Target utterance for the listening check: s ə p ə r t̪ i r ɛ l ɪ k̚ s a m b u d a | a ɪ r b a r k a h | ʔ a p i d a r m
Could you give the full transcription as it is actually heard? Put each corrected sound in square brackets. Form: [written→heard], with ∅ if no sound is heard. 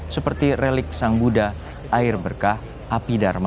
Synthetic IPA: s ə p ə r t̪ i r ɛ l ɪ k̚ s a [m→ŋ] b u d a | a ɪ r b [a→ə] r k a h | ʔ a p i d a r m